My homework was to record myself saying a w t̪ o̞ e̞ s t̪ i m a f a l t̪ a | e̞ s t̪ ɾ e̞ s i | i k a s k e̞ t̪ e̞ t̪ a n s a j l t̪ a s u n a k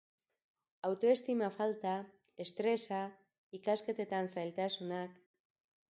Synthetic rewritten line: a w t̪ o̞ e̞ s t̪ i m a f a l t̪ a | e̞ s t̪ ɾ e̞ s a | i k a s k e̞ t̪ e̞ t̪ a n s a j l t̪ a s u n a k